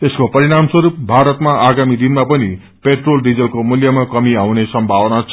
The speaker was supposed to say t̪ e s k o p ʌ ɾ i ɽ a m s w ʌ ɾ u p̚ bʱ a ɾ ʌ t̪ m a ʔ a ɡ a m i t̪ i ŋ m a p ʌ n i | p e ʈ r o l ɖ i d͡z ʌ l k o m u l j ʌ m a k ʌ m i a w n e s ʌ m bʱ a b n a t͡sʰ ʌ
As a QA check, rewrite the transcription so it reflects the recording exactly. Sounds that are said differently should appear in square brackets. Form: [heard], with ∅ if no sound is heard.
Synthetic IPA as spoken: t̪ e s k o p ʌ ɾ i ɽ a m s w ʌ ɾ u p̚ bʱ a ɾ ʌ t̪ m a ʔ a ɡ a m i [d̪] i [n] m a p ʌ n i | p e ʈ r o l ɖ i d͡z ʌ l k o m u l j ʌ m a k ʌ m i a w n e s ʌ m bʱ a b n a t͡sʰ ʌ